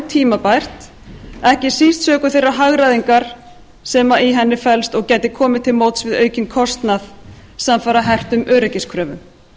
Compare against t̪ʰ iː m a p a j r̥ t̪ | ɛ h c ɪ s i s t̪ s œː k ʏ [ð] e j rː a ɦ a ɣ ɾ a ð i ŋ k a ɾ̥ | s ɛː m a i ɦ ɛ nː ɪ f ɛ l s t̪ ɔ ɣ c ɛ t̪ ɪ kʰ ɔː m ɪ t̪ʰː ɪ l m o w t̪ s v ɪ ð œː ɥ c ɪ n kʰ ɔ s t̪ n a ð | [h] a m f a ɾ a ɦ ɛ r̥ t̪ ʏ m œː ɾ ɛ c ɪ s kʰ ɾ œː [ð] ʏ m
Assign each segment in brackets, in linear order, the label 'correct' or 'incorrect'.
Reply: incorrect, incorrect, incorrect

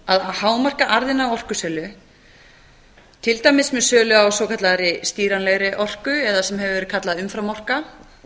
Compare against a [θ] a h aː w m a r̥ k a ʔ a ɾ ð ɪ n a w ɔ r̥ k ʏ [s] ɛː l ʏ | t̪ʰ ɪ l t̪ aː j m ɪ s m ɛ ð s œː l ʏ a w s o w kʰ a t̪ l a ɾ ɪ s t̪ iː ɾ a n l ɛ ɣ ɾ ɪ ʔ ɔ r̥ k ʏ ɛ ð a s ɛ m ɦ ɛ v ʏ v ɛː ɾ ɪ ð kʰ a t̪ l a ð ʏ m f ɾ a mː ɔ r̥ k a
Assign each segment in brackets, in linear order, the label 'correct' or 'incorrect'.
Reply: incorrect, correct

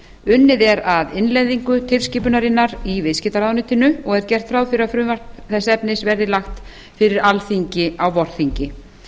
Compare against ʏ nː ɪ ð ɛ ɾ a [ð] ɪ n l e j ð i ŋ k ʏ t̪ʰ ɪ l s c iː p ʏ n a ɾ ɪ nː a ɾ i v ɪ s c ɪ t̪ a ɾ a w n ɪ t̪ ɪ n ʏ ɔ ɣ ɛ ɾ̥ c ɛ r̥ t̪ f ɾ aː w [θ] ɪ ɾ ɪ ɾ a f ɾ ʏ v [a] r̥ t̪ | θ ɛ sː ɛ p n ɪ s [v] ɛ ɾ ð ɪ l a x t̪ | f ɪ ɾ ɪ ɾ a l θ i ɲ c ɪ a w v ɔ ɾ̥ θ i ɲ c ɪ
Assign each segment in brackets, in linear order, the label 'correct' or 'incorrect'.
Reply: correct, incorrect, correct, correct

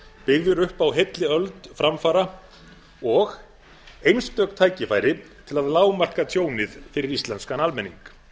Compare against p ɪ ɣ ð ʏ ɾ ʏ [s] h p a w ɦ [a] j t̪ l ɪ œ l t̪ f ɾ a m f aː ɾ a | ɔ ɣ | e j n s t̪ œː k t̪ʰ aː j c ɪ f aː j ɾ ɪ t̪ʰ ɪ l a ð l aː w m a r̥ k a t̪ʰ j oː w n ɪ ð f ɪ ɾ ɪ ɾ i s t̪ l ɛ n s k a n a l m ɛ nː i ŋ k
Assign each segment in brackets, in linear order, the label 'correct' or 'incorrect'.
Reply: incorrect, incorrect

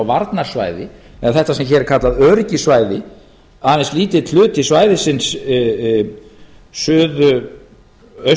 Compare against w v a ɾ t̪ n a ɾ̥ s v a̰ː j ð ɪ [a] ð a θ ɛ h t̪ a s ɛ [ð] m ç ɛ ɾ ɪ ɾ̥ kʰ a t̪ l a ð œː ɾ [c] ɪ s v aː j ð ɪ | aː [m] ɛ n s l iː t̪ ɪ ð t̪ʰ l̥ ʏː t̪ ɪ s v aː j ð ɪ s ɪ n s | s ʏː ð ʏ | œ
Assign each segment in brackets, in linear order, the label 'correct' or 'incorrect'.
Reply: incorrect, incorrect, correct, incorrect

